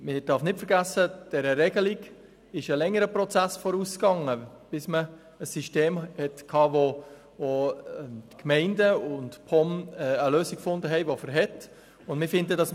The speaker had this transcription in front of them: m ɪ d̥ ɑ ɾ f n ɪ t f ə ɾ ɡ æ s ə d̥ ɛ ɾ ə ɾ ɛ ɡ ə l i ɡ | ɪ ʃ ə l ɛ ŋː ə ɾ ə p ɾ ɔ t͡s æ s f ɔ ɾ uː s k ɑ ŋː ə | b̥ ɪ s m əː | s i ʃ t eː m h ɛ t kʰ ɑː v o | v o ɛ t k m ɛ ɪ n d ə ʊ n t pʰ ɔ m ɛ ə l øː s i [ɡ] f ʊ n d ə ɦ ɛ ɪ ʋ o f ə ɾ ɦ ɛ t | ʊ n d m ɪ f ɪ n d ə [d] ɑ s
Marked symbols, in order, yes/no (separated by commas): no, yes